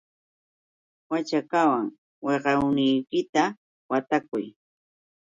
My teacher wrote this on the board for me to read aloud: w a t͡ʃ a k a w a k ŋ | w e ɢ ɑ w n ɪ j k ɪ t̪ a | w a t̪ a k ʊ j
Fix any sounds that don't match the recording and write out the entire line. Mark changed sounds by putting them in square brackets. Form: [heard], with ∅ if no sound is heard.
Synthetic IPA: w a t͡ʃ a k a w a [∅] ŋ | w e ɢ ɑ w n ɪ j k ɪ t̪ a | w a t̪ a k ʊ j